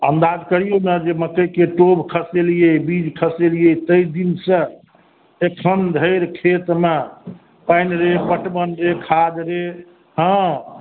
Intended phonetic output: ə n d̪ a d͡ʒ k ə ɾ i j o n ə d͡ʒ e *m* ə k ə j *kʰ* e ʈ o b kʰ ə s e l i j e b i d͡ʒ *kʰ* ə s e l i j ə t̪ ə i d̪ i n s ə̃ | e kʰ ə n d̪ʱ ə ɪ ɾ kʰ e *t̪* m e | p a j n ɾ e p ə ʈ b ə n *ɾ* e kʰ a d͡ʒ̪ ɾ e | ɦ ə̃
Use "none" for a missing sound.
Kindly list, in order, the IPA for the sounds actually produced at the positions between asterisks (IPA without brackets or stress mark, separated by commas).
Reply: m, k, kʰ, t̪, ɾ